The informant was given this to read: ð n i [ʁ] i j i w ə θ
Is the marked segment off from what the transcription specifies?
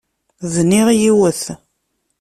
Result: no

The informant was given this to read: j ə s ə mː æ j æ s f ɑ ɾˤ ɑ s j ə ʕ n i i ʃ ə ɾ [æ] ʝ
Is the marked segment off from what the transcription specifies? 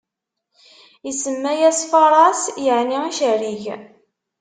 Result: yes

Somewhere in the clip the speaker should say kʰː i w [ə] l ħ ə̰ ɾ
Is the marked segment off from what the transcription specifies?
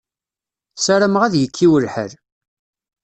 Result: no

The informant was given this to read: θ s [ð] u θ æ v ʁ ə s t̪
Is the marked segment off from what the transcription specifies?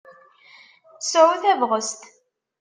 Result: yes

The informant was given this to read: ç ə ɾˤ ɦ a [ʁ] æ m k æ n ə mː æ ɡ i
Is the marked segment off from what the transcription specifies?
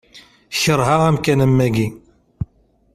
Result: no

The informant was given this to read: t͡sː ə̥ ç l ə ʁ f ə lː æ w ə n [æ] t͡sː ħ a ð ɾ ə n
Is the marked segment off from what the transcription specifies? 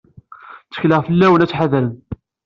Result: no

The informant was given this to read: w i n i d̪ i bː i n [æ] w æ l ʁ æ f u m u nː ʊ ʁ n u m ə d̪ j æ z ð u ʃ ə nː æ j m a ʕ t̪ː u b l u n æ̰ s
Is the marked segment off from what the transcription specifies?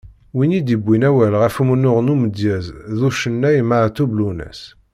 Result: no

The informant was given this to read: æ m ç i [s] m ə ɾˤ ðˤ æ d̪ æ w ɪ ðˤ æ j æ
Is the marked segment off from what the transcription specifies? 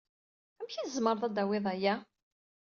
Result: yes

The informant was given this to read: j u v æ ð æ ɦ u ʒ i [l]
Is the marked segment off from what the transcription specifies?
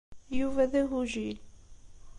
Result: no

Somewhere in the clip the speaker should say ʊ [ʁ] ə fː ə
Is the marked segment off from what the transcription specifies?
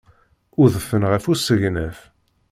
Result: yes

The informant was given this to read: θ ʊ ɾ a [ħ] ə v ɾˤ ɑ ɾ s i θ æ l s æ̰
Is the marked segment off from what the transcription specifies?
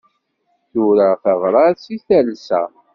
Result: yes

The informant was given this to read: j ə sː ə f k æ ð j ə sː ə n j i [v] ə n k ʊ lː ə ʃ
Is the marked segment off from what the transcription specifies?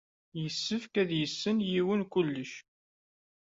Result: yes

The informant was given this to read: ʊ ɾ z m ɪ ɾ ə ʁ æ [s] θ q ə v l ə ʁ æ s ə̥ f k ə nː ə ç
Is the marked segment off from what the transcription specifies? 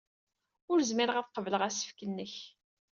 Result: yes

